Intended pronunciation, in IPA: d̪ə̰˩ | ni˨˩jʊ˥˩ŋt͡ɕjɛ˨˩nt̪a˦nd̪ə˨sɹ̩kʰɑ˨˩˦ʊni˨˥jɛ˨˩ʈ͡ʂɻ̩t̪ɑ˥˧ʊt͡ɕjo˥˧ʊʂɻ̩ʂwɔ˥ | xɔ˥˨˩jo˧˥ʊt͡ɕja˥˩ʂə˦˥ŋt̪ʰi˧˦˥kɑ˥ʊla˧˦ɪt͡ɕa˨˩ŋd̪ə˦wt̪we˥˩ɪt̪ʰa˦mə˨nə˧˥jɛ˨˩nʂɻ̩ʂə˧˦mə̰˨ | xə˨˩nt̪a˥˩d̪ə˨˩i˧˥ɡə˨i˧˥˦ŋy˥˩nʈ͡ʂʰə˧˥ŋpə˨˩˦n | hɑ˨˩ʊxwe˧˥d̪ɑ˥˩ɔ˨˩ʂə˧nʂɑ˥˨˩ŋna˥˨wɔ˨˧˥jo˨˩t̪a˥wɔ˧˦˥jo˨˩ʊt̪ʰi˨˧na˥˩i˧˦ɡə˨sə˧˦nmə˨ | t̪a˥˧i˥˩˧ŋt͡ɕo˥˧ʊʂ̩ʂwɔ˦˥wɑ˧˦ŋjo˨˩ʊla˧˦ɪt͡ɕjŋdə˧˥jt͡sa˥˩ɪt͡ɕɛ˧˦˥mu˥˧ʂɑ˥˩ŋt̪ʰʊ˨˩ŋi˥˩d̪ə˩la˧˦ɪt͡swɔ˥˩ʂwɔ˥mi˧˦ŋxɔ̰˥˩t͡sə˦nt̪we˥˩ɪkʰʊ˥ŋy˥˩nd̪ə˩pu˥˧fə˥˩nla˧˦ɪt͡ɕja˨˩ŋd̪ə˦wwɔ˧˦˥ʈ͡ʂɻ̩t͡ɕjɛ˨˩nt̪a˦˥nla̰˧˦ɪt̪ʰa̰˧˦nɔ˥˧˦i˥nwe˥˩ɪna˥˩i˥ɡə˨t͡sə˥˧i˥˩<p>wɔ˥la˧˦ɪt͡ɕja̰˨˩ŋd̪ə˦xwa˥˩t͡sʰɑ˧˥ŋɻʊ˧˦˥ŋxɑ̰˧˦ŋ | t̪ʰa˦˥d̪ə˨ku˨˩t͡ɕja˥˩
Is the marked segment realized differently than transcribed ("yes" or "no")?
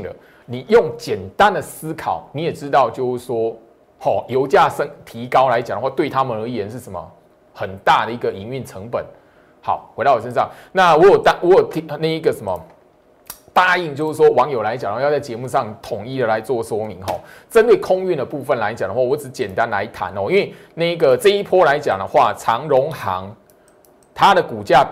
yes